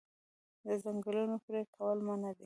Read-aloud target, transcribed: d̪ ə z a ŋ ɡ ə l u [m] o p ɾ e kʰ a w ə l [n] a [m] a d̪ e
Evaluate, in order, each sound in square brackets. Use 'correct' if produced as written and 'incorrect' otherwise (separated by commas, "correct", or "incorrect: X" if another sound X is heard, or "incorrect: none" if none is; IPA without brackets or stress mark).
incorrect: n, incorrect: m, incorrect: n